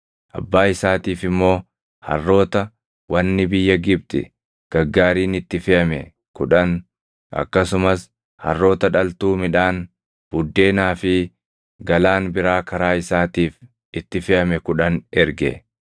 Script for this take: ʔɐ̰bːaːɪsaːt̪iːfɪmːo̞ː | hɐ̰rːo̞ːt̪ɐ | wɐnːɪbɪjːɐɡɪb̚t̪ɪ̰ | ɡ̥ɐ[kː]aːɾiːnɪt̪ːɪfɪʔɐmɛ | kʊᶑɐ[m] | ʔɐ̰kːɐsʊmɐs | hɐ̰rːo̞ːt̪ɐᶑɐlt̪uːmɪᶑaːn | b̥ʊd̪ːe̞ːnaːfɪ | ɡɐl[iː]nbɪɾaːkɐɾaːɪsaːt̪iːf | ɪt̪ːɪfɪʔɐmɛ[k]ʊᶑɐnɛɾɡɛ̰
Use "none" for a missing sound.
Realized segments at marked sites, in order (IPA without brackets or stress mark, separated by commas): ɡː, n, aː, k